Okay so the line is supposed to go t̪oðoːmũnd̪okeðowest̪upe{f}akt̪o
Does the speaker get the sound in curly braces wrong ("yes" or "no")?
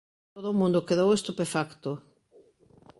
no